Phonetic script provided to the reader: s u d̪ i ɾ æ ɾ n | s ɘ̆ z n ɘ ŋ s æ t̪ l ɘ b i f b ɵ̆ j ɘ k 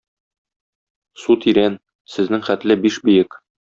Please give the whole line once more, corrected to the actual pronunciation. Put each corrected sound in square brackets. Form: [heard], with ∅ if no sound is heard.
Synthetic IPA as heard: s u [t̪] i ɾ æ [∅] n | s ɘ̆ z n ɘ ŋ [χ] æ t̪ l ɘ b i [ʃ] b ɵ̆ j ɘ k